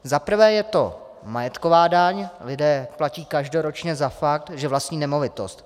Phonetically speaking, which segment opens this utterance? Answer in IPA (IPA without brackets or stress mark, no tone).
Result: z